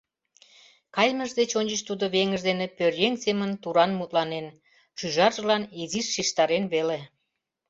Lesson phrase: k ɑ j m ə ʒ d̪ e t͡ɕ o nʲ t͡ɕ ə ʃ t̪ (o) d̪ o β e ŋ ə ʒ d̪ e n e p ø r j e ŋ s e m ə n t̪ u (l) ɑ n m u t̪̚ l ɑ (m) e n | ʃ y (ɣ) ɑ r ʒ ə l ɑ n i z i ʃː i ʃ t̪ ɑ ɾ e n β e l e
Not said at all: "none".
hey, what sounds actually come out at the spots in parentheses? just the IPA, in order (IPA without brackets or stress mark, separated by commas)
u, ɾ, n, ʒ